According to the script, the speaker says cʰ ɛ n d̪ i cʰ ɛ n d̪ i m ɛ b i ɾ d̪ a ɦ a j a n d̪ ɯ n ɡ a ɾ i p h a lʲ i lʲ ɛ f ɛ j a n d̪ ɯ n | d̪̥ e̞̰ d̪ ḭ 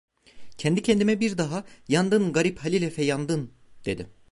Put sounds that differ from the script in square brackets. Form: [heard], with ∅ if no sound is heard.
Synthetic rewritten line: cʰ ɛ n d̪ i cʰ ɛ n d̪ i m ɛ b i ɾ d̪ a ɦ a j a n d̪ ɯ n ɡ a ɾ i p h a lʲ i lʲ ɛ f ɛ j a n d̪ ɯ n | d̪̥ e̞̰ d̪ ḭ

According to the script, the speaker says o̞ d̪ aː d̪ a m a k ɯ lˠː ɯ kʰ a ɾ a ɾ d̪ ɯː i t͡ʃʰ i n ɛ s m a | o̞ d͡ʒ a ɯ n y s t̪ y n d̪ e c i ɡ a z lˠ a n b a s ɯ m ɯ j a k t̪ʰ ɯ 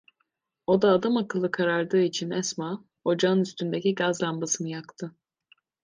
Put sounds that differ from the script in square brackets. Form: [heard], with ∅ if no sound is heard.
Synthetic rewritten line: o̞ d̪ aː d̪ a m a k ɯ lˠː ɯ kʰ a ɾ a ɾ d̪ ɯː i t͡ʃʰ i n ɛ s m a | o̞ d͡ʒ a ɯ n y s t̪ y n d̪ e c i ɡ a z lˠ a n b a s ɯ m ɯ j a k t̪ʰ ɯ

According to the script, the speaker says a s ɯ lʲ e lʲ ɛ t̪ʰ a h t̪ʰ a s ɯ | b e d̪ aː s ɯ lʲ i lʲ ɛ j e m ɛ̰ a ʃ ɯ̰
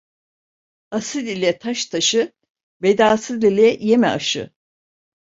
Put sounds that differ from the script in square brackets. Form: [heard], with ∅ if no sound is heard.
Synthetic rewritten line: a s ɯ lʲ [i] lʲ ɛ t̪ʰ a [ʃ] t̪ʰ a [ʃ] ɯ | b e d̪ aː s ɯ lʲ i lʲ ɛ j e m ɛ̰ a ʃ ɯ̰

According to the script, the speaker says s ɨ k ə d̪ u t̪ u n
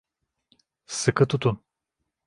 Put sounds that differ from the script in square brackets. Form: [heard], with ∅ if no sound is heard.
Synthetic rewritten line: s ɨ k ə [t̪] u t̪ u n

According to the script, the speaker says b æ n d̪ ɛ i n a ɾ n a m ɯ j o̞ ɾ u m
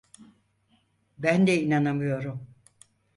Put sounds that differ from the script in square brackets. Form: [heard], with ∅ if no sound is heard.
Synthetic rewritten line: b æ n d̪ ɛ i n a [∅] n a m ɯ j o̞ ɾ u m

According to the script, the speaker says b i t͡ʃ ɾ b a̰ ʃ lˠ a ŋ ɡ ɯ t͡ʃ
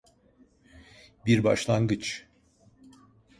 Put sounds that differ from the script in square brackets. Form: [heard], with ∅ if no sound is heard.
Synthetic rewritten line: b i [∅] ɾ b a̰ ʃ lˠ a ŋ ɡ ɯ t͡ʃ

